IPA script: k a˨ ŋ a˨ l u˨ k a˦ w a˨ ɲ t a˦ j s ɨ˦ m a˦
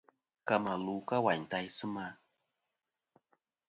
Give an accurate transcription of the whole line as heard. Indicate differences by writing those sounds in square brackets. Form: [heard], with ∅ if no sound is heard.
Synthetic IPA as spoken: k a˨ [m] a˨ l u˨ k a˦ w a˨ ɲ t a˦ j s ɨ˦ m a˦